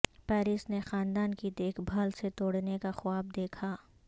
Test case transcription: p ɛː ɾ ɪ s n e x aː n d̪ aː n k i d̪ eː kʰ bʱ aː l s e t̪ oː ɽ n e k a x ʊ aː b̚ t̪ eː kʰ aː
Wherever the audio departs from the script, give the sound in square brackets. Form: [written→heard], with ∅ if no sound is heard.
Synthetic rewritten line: p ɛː ɾ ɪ s n e x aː n d̪ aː n k i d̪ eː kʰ bʱ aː l s e t̪ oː ɽ n e k a x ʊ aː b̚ [t̪→d̪] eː kʰ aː